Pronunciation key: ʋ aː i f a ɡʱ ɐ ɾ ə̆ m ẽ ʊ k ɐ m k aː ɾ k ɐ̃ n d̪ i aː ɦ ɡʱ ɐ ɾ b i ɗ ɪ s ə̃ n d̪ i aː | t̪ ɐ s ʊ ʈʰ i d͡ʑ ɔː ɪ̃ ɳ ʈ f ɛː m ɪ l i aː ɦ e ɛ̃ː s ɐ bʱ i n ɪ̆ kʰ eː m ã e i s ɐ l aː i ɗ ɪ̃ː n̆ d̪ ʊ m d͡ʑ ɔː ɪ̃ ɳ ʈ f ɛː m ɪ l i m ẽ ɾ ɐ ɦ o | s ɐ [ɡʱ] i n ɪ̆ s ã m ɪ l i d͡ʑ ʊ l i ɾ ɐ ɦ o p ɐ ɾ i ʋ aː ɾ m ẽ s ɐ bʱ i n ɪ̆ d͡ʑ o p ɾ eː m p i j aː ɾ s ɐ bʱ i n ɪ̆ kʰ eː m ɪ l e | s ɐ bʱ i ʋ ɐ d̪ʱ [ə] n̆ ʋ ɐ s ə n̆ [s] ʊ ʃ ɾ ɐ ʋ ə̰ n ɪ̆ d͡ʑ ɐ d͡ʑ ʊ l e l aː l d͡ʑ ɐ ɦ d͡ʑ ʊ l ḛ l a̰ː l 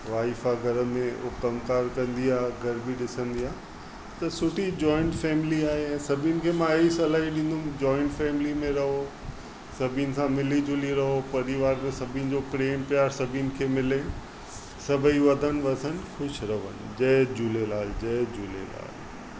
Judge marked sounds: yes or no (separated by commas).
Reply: no, yes, no